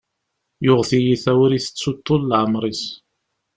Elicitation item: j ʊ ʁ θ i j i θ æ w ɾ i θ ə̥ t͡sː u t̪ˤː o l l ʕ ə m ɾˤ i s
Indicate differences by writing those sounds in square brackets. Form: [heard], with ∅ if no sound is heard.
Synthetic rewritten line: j ʊ ʁ θ i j i θ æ w ɾ i θ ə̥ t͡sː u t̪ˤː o l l ʕ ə m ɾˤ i s